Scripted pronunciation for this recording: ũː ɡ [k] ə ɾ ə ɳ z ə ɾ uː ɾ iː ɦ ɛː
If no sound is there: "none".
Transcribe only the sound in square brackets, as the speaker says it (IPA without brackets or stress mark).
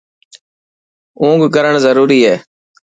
k